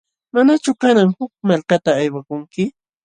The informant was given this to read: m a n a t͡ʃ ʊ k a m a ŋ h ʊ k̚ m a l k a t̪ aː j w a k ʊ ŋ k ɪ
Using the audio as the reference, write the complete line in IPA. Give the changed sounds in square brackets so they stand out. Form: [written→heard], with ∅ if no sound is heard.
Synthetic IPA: m a n a t͡ʃ ʊ k a [m→n] a ŋ h ʊ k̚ m a l k a t̪ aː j w a k ʊ ŋ k ɪ